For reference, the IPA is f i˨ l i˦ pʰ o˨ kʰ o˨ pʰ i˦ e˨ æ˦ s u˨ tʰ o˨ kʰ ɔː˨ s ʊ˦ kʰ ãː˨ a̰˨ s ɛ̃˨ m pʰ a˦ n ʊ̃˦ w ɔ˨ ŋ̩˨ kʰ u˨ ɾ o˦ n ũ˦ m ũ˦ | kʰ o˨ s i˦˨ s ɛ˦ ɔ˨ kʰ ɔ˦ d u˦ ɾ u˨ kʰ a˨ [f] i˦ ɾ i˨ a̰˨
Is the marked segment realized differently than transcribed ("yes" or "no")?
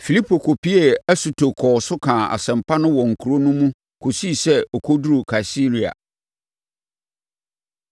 yes